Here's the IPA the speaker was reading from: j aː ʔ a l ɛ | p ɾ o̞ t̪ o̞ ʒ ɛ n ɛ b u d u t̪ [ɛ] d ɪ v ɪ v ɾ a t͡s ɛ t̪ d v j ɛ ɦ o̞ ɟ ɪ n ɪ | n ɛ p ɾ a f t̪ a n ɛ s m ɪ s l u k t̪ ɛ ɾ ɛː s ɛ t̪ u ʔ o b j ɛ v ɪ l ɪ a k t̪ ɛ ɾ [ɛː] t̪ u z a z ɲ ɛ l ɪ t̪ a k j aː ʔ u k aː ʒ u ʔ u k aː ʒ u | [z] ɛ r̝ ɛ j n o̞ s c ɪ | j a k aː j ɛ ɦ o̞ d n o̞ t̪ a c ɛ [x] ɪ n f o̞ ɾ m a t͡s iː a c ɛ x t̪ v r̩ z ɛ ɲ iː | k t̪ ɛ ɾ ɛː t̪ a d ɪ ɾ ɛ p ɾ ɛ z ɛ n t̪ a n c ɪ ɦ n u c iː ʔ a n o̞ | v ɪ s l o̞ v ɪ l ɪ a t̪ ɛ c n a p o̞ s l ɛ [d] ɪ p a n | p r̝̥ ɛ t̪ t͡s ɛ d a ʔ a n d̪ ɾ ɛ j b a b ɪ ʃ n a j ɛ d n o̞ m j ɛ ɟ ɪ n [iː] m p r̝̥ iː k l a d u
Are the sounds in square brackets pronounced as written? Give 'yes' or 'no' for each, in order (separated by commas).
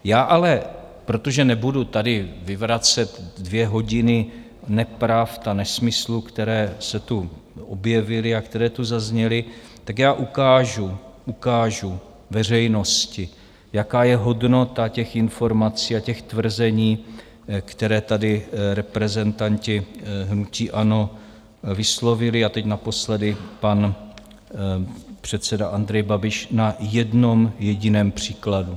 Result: no, yes, no, yes, yes, no